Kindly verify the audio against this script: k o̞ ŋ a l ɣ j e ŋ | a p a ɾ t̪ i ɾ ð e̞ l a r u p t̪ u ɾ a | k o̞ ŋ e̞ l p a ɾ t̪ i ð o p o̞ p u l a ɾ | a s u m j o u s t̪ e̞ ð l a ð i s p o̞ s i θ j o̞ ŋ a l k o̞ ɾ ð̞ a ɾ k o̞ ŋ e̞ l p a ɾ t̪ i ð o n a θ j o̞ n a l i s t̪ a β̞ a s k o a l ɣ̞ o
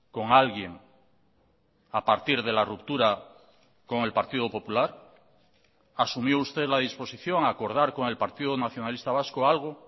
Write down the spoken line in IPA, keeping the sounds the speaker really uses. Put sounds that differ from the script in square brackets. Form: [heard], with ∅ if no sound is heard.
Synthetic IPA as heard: k o̞ ŋ a l ɣ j e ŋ | a p a ɾ t̪ i ɾ ð e̞ l a r u p t̪ u ɾ a | k o̞ ŋ e̞ l p a ɾ t̪ i ð o p o̞ p u l a ɾ | a s u m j o u s t̪ e̞ ð l a ð i s p o̞ s i θ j o̞ ŋ a [∅] k o̞ ɾ ð̞ a ɾ k o̞ ŋ e̞ l p a ɾ t̪ i ð o n a θ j o̞ n a l i s t̪ a β̞ a s k o a l ɣ̞ o